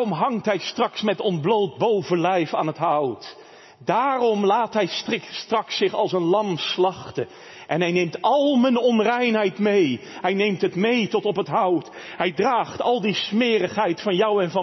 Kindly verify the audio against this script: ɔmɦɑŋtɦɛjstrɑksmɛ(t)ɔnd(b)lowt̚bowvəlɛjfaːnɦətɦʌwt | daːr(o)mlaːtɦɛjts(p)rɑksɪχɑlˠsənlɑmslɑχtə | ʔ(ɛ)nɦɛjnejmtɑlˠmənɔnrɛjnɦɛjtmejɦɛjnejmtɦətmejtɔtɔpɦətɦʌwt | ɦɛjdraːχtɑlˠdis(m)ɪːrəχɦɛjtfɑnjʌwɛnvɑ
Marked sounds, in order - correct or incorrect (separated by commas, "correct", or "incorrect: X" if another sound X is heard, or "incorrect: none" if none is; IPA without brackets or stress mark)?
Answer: correct, correct, incorrect: ɔ, incorrect: t, correct, correct